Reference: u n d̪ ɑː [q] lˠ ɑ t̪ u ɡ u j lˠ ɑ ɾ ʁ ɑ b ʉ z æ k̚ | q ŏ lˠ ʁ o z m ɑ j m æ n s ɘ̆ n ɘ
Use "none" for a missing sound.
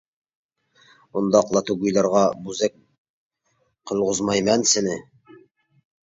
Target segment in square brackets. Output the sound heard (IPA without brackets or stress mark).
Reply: q